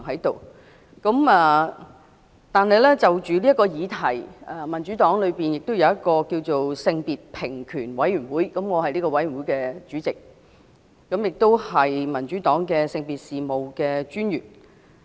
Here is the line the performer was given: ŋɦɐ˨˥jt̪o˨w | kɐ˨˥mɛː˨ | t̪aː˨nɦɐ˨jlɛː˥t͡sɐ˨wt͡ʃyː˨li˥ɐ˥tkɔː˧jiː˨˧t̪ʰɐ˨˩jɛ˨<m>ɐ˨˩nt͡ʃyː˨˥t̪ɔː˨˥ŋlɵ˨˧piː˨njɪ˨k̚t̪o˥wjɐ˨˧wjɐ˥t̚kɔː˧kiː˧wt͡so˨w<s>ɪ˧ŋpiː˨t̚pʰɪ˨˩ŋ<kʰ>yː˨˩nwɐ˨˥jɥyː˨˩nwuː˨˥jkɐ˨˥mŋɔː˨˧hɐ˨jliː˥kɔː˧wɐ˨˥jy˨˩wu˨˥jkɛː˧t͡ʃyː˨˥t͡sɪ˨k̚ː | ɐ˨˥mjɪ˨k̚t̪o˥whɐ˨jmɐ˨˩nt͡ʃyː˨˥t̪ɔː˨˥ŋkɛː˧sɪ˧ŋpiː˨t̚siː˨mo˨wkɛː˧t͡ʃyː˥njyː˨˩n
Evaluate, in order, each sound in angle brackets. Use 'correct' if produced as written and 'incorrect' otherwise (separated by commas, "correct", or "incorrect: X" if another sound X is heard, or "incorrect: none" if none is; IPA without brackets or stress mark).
correct, correct, correct